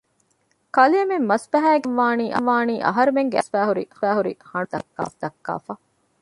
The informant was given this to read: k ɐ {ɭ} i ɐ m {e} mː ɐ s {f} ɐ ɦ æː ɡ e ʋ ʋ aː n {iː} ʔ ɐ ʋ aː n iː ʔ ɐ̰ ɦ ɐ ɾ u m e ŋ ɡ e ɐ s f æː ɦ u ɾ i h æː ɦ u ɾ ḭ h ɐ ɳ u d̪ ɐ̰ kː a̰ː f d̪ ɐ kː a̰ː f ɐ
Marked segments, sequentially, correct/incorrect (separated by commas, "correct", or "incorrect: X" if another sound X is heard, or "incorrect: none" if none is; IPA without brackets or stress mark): incorrect: l, correct, correct, correct